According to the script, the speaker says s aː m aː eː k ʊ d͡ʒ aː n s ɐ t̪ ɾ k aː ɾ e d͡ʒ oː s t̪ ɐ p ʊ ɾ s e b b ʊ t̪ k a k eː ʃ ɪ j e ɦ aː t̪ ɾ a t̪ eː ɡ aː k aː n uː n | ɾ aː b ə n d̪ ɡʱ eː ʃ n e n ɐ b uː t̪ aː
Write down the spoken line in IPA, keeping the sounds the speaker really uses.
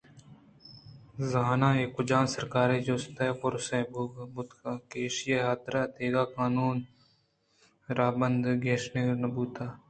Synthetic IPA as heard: z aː n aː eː k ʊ d͡ʒ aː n s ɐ ɾ k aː ɾ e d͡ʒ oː s t̪ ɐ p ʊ ɾ s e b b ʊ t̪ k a k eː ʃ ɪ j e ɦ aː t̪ ɾ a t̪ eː ɡ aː k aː n uː n | ɾ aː b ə n d̪ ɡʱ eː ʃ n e n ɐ b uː t̪ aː